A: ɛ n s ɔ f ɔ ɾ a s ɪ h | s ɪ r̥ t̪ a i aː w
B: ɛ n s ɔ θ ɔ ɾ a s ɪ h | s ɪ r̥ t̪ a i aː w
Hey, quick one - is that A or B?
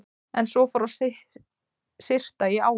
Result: A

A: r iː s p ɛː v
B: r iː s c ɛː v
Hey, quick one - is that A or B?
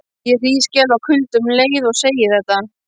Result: B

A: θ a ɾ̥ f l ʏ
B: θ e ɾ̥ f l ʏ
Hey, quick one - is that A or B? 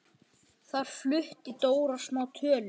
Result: A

